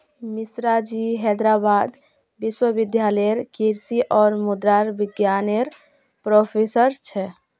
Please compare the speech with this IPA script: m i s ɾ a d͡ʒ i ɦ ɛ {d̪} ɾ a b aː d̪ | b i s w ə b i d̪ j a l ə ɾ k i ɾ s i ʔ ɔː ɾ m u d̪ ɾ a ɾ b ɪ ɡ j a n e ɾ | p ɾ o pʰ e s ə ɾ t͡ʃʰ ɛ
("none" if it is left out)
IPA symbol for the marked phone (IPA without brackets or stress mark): d̪